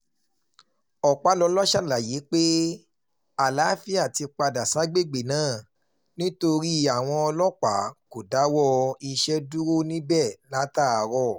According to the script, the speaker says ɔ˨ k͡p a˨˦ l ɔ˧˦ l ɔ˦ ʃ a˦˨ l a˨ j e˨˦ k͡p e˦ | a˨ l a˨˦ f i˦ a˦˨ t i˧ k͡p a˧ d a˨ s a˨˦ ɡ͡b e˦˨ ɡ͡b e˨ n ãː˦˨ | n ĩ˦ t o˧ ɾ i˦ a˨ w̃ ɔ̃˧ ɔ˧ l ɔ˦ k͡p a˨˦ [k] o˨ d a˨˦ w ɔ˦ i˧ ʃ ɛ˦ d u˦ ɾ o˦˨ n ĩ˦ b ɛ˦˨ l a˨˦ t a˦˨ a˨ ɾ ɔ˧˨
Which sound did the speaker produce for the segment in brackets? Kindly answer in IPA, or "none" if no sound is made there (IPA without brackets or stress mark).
k